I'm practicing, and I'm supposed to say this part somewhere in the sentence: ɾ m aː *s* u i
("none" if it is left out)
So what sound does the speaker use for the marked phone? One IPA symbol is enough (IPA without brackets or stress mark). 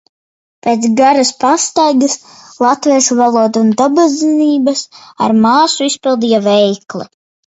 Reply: s